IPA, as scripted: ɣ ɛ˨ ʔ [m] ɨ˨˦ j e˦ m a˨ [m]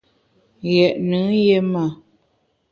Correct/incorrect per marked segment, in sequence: incorrect: n, incorrect: none

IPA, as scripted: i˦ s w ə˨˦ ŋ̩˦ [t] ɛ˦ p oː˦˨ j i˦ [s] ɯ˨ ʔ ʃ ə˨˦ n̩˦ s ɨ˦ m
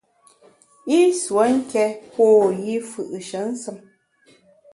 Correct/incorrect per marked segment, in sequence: incorrect: k, incorrect: f

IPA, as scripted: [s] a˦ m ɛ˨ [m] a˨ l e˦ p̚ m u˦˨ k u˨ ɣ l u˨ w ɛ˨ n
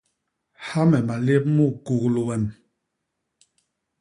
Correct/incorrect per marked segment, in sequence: incorrect: h, correct

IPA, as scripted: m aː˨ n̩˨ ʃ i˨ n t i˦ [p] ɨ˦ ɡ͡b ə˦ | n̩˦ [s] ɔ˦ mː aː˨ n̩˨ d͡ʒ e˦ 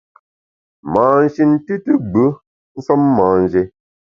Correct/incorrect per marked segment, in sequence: incorrect: t, correct

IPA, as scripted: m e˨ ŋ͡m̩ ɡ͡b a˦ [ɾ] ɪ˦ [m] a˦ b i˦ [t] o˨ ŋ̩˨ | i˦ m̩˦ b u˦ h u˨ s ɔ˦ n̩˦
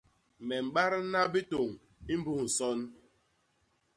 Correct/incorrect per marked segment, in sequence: correct, incorrect: n, correct

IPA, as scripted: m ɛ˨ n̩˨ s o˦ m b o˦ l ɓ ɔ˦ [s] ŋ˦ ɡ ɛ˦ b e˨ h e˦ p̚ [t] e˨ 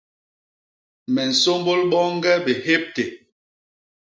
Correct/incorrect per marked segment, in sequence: incorrect: none, correct

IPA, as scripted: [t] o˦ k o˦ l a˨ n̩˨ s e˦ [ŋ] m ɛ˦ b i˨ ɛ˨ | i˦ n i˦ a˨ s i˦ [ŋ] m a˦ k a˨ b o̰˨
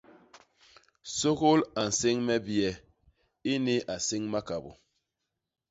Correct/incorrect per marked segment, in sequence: incorrect: s, correct, correct

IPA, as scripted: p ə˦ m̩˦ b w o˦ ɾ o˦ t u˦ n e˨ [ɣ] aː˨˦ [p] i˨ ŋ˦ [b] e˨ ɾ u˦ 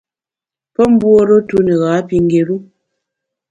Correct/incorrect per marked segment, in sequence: correct, correct, incorrect: ɡ

